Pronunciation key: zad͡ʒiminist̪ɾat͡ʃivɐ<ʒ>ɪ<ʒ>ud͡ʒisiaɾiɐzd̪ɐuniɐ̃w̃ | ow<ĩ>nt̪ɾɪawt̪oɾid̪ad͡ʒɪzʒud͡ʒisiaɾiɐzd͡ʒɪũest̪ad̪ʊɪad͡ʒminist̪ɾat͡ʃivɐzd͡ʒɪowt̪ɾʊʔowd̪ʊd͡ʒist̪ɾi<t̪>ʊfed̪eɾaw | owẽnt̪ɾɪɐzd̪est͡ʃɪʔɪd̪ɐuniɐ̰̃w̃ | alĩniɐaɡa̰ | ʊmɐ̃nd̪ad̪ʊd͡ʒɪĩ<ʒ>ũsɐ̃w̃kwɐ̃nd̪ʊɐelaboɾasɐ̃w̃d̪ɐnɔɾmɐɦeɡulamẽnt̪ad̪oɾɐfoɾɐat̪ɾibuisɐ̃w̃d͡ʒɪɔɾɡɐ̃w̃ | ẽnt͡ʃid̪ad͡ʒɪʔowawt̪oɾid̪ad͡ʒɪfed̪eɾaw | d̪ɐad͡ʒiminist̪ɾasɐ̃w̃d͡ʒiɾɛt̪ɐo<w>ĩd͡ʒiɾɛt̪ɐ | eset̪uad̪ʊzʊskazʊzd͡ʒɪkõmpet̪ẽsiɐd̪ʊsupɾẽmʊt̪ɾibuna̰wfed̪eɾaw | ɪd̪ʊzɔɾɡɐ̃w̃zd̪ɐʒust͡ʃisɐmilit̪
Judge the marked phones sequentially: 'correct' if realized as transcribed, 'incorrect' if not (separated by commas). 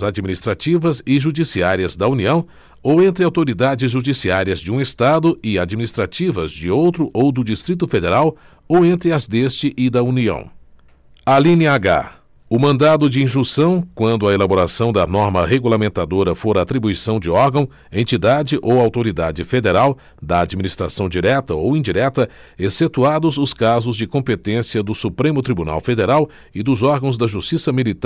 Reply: incorrect, correct, incorrect, correct, correct, correct